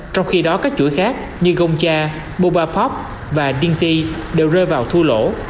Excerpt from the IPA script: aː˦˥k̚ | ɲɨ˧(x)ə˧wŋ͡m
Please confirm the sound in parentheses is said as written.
no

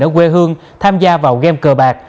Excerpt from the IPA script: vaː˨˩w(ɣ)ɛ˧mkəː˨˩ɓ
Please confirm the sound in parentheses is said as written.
yes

